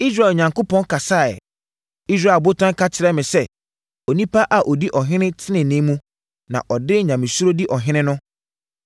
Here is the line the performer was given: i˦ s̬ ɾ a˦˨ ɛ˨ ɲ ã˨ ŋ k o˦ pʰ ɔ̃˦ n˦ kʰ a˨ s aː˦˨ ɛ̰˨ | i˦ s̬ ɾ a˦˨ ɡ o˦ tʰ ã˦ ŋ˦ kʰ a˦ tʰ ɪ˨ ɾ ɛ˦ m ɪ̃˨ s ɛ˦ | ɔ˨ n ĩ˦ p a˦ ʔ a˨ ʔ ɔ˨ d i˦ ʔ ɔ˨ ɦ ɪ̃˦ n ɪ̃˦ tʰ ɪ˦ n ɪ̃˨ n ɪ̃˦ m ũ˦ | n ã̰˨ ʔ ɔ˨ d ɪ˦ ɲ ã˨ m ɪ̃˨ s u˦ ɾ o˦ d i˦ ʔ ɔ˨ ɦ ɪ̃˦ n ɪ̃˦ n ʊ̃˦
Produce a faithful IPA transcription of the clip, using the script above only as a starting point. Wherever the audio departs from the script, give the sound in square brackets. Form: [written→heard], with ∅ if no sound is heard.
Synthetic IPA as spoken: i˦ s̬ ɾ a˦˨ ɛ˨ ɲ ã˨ ŋ k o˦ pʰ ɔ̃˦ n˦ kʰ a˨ s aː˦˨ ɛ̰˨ | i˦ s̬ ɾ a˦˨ [ɡ→b] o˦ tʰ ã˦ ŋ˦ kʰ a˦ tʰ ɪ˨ ɾ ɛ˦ m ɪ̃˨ s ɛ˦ | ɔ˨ n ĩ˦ p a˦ ʔ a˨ ʔ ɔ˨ d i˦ ʔ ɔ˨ ɦ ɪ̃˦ n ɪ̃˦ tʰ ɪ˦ n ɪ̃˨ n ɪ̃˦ m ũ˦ | n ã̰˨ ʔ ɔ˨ d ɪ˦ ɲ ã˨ m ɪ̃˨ s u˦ ɾ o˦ d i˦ ʔ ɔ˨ ɦ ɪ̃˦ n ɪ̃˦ n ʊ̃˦